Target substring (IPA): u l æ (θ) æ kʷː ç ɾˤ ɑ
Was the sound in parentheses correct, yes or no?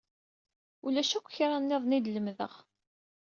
no